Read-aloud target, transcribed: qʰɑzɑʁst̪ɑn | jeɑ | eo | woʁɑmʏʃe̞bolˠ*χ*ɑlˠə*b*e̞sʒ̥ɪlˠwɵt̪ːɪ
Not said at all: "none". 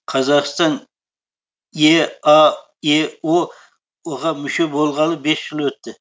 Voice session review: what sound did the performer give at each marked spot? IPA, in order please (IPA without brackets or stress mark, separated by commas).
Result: ʁ, b